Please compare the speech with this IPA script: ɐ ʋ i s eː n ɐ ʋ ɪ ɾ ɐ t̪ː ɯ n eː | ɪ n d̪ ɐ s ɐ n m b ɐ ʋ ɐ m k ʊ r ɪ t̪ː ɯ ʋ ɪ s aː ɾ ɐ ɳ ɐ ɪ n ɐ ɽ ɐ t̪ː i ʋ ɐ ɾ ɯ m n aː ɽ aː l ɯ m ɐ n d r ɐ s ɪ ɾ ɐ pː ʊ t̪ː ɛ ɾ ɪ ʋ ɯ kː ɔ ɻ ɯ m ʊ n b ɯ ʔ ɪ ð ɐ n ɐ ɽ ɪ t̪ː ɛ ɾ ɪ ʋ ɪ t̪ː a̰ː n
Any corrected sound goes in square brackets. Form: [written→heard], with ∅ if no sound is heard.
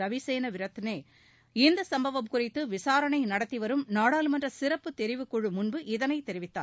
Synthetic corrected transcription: ɐ ʋ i s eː n ɐ ʋ ɪ ɾ ɐ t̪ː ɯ n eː | ɪ n d̪ ɐ s ɐ [n→∅] m b ɐ ʋ ɐ m k ʊ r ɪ t̪ː ɯ ʋ ɪ s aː ɾ ɐ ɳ ɐ ɪ n ɐ ɽ ɐ t̪ː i ʋ ɐ ɾ ɯ m n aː ɽ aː l ɯ m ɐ n d r ɐ s ɪ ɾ ɐ pː [ʊ→ɯ] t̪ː ɛ ɾ ɪ ʋ ɯ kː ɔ ɻ ɯ m ʊ n b ɯ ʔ ɪ ð ɐ n ɐ [ɽ→∅] ɪ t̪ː ɛ ɾ ɪ ʋ ɪ t̪ː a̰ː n

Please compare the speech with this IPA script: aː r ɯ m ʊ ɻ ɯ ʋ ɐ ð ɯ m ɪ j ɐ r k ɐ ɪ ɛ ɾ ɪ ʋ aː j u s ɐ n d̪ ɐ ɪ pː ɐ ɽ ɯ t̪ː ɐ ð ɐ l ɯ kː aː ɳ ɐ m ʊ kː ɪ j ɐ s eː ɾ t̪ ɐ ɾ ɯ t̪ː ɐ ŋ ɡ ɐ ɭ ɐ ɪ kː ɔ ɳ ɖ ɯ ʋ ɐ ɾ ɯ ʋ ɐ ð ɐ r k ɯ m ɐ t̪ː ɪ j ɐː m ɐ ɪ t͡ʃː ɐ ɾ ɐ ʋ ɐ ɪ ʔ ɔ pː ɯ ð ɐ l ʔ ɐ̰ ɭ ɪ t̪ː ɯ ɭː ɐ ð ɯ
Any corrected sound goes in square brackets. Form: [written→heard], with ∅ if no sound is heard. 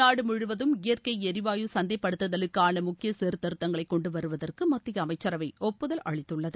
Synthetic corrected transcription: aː [r→ɽ] ɯ m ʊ ɻ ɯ ʋ ɐ ð ɯ m ɪ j ɐ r k ɐ ɪ ɛ ɾ ɪ ʋ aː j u s ɐ n d̪ ɐ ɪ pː ɐ ɽ ɯ t̪ː ɐ ð ɐ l ɯ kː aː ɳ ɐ m ʊ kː ɪ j ɐ s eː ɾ t̪ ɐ ɾ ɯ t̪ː ɐ ŋ ɡ ɐ ɭ ɐ ɪ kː ɔ ɳ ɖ ɯ ʋ ɐ ɾ ɯ ʋ ɐ ð ɐ r k ɯ m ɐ t̪ː ɪ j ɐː m ɐ ɪ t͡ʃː ɐ ɾ ɐ ʋ ɐ ɪ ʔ ɔ pː ɯ ð ɐ l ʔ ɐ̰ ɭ ɪ t̪ː ɯ ɭː ɐ ð ɯ

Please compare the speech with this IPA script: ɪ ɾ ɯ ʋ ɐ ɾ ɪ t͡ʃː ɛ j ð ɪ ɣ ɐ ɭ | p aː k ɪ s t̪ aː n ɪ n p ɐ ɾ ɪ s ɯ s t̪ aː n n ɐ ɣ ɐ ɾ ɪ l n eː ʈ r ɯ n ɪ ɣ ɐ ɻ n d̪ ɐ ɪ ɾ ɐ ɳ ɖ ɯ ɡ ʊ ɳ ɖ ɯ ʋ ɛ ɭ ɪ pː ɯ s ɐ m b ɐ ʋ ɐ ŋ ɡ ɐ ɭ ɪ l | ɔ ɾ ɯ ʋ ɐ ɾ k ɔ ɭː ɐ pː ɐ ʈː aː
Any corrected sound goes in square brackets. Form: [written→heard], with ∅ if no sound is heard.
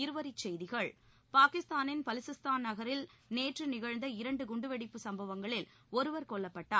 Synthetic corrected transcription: ɪ ɾ ɯ ʋ ɐ ɾ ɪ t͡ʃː ɛ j ð ɪ ɣ ɐ ɭ | p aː k ɪ s t̪ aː n ɪ n p ɐ [ɾ→l] ɪ s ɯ s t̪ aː n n ɐ ɣ ɐ ɾ ɪ l n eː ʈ r ɯ n ɪ ɣ ɐ ɻ n d̪ ɐ ɪ ɾ ɐ ɳ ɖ ɯ ɡ ʊ ɳ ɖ ɯ ʋ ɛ [ɭ→ɽ] ɪ pː ɯ s ɐ m b ɐ ʋ ɐ ŋ ɡ ɐ ɭ ɪ l | ɔ ɾ ɯ ʋ ɐ ɾ k ɔ ɭː ɐ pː ɐ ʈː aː

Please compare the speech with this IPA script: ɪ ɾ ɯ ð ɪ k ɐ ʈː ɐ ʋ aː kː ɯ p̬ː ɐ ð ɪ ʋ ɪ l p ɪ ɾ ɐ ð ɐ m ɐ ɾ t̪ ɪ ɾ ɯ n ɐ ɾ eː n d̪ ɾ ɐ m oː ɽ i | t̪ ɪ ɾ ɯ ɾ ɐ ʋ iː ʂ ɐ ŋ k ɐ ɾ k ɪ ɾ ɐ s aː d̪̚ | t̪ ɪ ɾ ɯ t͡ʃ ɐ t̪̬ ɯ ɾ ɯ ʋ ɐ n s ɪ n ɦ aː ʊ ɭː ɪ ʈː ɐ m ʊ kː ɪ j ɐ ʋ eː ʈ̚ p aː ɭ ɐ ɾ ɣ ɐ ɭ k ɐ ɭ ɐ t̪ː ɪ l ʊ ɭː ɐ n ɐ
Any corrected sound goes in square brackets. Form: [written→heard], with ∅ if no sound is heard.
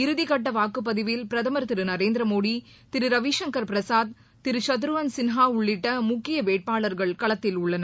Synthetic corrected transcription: ɪ ɾ ɯ ð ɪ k ɐ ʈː ɐ ʋ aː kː ɯ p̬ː ɐ ð ɪ ʋ ɪ l p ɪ ɾ ɐ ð ɐ m ɐ ɾ t̪ ɪ ɾ ɯ n ɐ ɾ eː n d̪ ɾ ɐ m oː ɽ i | t̪ ɪ ɾ ɯ ɾ ɐ ʋ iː ʂ ɐ ŋ k ɐ ɾ [k→p] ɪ ɾ ɐ s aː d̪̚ | t̪ ɪ ɾ ɯ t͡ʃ ɐ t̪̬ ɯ ɾ ɯ ʋ ɐ n s ɪ n ɦ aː ʊ ɭː ɪ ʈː ɐ m ʊ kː ɪ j ɐ ʋ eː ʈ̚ p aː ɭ ɐ ɾ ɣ ɐ ɭ k ɐ ɭ ɐ t̪ː ɪ l ʊ ɭː ɐ n ɐ

